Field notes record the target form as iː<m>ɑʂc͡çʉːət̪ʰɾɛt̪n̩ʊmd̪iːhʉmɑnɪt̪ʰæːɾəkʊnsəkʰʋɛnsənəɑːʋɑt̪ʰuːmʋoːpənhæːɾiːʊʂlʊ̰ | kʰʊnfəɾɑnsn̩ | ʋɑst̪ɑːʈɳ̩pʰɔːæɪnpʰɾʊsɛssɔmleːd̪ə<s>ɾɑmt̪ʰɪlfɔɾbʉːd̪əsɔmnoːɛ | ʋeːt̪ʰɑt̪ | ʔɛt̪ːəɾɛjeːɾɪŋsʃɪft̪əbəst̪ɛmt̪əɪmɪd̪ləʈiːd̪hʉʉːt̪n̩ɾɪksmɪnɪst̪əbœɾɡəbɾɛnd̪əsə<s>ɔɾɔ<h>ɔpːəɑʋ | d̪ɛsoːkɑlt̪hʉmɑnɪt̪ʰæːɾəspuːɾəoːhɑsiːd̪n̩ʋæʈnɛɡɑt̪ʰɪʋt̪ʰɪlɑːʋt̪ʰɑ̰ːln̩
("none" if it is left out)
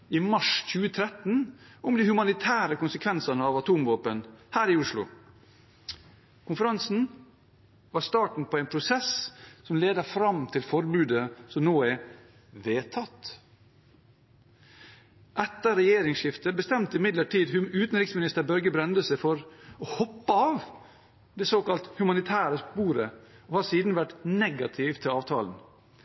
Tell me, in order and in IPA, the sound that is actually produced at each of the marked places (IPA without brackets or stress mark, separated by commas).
m, f, f, h